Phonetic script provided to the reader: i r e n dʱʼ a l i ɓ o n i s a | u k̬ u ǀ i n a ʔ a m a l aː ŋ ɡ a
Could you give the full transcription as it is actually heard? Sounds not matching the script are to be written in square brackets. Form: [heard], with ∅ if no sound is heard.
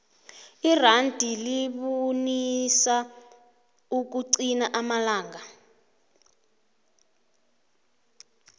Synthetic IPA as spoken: i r [a] n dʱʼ [i] l i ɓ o n i s a | u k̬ u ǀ i n a ʔ a m a l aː ŋ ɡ a